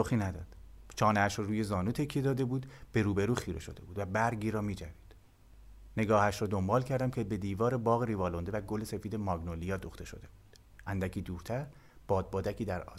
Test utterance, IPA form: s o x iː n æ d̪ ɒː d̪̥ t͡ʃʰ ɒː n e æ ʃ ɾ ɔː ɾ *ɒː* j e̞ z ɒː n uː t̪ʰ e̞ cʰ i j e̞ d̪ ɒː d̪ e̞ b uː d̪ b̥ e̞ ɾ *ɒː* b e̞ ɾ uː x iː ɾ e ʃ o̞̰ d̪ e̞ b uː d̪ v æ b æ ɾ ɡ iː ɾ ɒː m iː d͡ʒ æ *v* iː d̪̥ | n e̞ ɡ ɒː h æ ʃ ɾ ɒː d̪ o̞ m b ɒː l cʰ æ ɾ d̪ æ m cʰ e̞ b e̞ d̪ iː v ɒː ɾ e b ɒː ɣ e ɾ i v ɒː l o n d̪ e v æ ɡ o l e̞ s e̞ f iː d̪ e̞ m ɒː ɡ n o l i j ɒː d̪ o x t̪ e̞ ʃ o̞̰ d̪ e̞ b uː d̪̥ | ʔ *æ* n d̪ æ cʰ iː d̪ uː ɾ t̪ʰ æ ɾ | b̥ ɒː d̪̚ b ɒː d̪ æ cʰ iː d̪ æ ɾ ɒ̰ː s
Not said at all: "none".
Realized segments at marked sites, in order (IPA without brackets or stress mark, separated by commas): uː, uː, v, æ